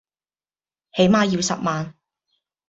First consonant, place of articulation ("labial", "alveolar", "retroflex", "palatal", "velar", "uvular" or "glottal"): glottal